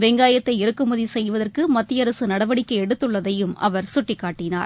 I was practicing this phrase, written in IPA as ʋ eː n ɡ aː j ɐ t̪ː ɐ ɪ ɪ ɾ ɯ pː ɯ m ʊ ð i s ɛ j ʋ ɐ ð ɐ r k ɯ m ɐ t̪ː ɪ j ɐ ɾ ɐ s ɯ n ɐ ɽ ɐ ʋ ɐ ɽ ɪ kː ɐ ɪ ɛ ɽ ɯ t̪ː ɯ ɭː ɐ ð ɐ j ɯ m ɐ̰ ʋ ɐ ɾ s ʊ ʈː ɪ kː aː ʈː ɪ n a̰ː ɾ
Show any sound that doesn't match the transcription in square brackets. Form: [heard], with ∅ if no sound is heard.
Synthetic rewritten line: ʋ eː [ŋ] ɡ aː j ɐ t̪ː ɐ ɪ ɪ ɾ ɯ [kː] ɯ m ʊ ð i s ɛ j ʋ ɐ ð ɐ r k ɯ m ɐ t̪ː ɪ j ɐ ɾ ɐ s ɯ n ɐ ɽ ɐ ʋ ɐ ɽ ɪ kː ɐ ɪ ɛ ɽ ɯ t̪ː ɯ ɭː ɐ ð ɐ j ɯ m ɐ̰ ʋ ɐ ɾ s ʊ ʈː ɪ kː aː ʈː ɪ n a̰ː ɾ